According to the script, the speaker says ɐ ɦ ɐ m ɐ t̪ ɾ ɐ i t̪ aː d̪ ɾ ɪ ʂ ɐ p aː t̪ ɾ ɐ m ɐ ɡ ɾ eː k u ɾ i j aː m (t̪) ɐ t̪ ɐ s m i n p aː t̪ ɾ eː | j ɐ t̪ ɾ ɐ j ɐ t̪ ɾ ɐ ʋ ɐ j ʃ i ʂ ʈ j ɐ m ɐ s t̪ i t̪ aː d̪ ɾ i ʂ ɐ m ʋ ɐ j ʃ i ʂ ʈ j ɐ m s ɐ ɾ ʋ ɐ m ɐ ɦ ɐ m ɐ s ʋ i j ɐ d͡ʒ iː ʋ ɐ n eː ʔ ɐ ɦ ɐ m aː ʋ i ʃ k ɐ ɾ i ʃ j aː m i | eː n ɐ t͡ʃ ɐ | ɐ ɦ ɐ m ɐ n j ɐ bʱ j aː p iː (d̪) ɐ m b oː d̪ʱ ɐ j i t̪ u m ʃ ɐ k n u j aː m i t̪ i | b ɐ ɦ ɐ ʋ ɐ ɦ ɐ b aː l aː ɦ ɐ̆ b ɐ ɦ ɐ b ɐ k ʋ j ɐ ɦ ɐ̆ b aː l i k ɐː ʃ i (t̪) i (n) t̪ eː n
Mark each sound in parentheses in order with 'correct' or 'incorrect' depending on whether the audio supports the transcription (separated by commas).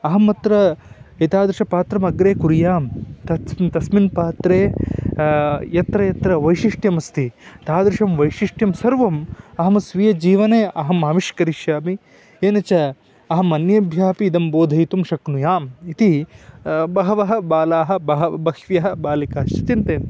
correct, correct, correct, correct